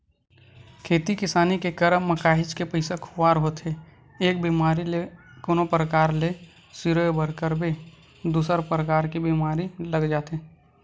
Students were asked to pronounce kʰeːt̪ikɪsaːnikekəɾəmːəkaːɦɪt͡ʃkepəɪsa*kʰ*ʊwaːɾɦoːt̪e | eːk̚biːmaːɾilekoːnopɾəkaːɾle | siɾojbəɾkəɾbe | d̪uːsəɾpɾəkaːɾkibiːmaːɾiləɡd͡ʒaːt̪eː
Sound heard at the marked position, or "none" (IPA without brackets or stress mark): kʰ